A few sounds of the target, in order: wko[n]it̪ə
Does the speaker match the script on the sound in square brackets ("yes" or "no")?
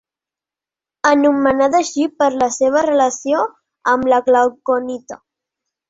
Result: yes